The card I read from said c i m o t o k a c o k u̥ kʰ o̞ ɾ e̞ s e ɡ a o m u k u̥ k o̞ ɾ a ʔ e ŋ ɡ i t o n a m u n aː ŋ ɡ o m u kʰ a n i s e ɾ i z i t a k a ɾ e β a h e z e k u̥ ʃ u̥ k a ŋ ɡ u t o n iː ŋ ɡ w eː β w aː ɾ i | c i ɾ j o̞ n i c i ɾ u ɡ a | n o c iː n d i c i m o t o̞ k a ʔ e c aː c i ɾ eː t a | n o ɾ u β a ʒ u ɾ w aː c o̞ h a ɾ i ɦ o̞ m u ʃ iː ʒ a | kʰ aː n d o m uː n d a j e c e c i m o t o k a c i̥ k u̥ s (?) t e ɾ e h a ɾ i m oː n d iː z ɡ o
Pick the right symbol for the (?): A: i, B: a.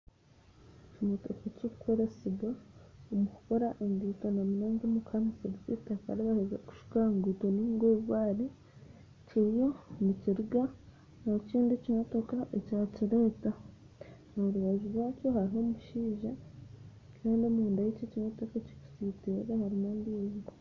A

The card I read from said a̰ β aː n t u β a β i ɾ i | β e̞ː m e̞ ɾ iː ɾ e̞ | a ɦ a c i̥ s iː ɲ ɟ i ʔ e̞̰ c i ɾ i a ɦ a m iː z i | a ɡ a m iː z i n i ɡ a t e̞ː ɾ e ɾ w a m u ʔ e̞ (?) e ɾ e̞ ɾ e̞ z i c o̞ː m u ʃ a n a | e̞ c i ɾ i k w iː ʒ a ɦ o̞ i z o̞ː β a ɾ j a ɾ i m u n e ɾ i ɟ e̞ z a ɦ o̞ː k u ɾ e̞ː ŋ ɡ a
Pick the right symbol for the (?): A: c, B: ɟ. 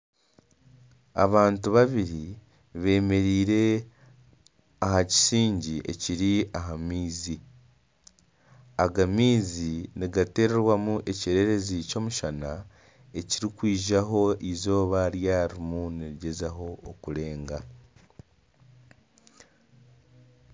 A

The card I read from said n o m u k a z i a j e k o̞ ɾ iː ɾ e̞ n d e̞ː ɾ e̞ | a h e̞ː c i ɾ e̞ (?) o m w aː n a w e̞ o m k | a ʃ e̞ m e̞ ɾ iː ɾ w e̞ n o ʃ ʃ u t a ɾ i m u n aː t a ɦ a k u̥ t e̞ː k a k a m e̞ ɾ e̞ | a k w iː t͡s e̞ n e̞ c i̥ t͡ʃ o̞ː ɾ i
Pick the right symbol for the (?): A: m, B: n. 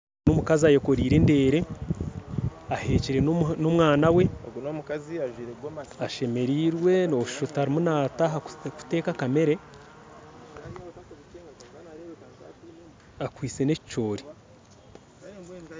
B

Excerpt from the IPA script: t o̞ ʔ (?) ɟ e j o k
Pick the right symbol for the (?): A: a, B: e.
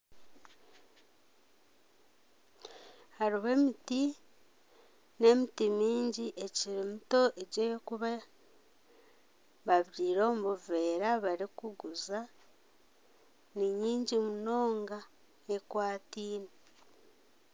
B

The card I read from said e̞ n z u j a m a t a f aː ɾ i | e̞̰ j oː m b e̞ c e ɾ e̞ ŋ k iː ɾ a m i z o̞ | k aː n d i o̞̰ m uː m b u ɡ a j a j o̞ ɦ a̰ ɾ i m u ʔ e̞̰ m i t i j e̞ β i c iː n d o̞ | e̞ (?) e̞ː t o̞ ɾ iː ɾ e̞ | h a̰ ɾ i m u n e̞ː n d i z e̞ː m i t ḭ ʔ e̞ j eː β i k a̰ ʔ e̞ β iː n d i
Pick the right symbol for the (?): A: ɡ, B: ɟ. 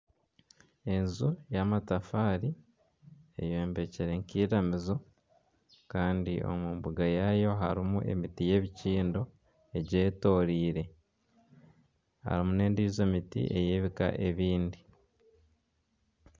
B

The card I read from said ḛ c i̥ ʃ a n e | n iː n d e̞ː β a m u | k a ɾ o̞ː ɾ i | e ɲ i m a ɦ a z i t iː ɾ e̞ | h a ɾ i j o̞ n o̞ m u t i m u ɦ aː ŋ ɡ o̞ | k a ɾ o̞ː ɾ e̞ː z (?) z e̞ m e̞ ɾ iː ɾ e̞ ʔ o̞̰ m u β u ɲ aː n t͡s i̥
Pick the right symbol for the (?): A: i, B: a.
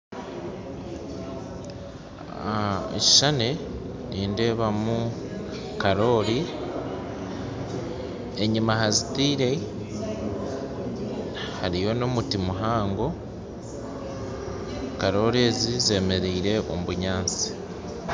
A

